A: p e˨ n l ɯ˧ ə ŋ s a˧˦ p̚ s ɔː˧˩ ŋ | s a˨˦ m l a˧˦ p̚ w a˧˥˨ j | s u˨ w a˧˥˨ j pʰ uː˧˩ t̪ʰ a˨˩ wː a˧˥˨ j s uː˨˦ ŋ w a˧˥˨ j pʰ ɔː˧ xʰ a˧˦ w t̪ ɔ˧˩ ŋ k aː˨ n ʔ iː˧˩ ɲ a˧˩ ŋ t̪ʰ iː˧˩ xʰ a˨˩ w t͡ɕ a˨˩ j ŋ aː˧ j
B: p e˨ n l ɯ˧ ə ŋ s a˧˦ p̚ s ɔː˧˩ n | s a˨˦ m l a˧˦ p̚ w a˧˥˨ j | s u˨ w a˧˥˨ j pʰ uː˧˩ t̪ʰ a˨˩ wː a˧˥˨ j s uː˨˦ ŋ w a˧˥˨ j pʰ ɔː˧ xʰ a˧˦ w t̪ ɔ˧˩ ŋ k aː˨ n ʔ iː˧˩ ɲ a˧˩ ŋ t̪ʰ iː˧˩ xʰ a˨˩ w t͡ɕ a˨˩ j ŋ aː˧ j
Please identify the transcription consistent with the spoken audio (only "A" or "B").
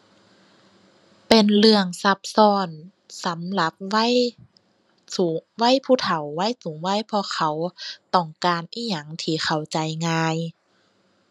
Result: B